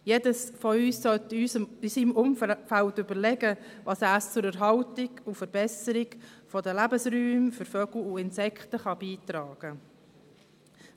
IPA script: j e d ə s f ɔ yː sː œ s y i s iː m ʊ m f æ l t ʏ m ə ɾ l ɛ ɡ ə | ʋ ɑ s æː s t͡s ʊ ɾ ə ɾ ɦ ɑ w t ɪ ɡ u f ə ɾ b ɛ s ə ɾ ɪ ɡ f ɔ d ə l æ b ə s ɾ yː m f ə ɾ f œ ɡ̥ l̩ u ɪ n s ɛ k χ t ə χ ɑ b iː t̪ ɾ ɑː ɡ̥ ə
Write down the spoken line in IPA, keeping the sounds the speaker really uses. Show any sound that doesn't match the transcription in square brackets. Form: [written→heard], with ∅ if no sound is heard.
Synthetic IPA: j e d ə s f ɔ yː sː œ [s→t] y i s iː m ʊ m f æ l t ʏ [m→b] ə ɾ l ɛ ɡ ə | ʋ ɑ s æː s t͡s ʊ ɾ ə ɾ ɦ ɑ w t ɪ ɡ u f ə ɾ b ɛ s ə ɾ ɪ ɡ f ɔ d ə l æ b ə s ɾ yː m f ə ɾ f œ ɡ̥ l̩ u ɪ n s ɛ k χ t ə χ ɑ b iː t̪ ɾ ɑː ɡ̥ ə